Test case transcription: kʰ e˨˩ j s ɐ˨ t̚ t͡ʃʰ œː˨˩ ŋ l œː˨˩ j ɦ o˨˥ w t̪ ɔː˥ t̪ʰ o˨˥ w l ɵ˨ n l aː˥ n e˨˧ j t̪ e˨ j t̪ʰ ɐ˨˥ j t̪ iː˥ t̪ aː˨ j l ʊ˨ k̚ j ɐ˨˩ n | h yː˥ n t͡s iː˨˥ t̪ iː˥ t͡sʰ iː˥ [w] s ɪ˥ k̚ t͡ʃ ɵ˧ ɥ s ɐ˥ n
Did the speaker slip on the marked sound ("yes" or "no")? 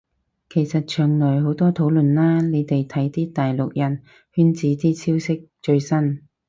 no